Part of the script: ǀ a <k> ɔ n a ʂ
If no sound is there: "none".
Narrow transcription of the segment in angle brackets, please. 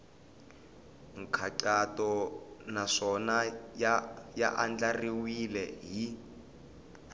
t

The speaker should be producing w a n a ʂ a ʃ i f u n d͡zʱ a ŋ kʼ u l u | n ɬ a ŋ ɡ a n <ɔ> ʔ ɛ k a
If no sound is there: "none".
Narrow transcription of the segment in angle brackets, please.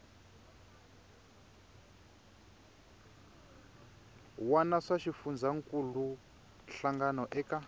ɔ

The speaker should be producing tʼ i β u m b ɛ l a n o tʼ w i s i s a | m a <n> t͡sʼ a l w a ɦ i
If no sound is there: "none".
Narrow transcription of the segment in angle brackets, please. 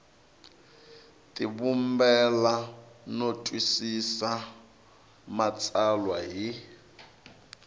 none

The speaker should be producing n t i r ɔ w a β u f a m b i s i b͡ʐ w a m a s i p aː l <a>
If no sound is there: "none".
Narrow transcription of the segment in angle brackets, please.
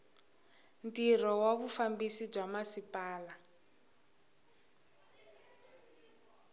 a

